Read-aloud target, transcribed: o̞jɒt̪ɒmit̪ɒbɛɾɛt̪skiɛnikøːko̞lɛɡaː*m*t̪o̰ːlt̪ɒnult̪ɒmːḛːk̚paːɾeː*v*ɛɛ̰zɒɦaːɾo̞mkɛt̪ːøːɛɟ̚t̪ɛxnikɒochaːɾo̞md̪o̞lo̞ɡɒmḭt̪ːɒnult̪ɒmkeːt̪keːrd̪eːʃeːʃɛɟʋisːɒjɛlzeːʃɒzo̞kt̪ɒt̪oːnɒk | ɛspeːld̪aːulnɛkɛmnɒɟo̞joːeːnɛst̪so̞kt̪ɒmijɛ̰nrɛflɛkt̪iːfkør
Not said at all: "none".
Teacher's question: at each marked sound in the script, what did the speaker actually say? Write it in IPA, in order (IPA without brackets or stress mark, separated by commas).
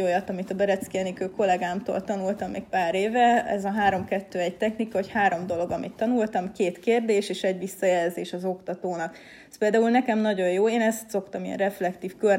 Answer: m, v